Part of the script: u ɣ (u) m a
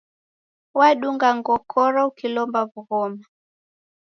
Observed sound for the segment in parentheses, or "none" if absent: ɔ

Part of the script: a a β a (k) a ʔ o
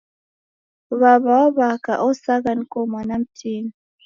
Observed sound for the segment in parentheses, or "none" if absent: k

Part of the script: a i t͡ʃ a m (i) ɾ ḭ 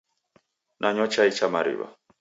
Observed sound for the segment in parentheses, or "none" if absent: a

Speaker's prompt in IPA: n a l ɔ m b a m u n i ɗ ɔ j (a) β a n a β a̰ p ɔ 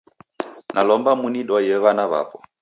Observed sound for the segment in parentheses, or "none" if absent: ɛ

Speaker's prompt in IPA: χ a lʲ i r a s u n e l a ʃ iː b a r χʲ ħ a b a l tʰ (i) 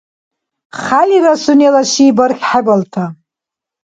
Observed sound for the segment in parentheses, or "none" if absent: a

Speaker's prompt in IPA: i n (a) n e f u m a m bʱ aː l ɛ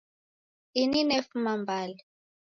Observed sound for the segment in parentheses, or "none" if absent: i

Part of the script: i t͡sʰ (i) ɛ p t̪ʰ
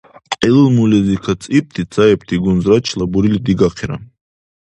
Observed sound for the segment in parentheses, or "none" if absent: a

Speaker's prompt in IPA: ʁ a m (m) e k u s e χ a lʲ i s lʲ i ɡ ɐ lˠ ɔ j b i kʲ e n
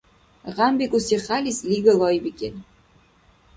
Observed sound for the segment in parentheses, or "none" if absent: b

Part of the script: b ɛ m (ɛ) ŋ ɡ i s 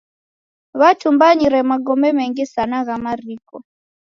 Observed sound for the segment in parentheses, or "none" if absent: ɛ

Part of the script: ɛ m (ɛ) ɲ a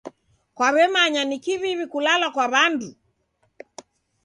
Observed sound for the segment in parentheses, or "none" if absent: a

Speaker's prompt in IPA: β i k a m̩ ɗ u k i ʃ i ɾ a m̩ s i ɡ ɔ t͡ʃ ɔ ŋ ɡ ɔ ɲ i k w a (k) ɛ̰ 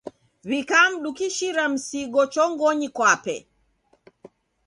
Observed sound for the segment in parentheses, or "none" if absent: p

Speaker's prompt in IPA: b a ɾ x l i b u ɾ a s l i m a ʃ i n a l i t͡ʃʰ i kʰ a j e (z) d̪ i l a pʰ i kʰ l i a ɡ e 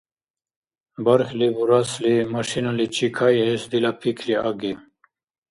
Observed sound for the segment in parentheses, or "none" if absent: s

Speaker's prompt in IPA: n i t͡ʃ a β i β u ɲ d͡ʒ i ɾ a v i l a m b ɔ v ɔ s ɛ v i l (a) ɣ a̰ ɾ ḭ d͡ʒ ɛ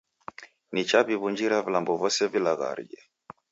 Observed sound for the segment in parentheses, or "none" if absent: a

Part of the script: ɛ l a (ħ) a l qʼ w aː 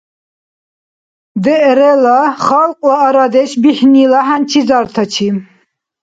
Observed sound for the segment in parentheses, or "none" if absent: χ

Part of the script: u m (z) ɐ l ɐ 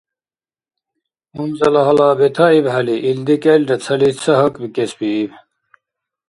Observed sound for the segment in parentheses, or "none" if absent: z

